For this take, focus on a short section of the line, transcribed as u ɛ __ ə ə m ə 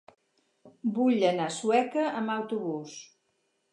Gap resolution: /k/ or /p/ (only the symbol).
k